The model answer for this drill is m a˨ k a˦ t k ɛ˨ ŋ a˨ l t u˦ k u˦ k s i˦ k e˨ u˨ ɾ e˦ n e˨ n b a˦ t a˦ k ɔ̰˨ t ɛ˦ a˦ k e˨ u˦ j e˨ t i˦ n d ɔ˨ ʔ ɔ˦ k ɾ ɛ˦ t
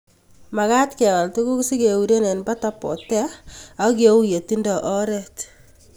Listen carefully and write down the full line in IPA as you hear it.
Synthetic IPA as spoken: m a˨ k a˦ t k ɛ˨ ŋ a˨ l t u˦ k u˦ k s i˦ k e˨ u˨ ɾ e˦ n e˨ n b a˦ t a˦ p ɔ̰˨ t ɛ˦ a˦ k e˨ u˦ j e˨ t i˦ n d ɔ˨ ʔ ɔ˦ ɾ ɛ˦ t